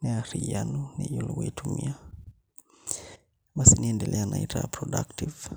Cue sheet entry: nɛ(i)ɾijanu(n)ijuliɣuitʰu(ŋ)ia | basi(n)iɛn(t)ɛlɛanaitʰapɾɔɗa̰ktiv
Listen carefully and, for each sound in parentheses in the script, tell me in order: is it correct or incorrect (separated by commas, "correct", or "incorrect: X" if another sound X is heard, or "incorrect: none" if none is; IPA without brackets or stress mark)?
incorrect: a, correct, incorrect: m, correct, incorrect: d